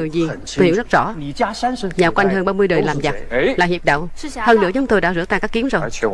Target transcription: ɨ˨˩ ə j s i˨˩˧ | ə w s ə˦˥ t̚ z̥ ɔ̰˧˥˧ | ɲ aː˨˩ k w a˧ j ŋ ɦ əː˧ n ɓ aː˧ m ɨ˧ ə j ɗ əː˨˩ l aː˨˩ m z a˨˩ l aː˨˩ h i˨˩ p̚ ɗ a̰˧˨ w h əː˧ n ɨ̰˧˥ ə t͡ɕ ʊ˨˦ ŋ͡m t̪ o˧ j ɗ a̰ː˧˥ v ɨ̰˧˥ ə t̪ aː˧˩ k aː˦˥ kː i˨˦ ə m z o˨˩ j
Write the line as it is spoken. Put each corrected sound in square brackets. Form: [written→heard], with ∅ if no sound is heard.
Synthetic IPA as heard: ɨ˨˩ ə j [s→z] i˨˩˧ | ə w [s→z] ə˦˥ t̚ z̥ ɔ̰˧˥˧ | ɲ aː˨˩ k w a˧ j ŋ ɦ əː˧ n ɓ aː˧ m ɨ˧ ə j ɗ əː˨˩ l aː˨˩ m z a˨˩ l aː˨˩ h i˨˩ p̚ ɗ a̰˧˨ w h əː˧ n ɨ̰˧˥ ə t͡ɕ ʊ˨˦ ŋ͡m t̪ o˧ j ɗ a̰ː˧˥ [v→z] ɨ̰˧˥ ə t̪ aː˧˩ k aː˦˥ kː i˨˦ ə m z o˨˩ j